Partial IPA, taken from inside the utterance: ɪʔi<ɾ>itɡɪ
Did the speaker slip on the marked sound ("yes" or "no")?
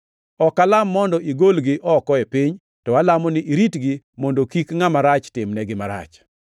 no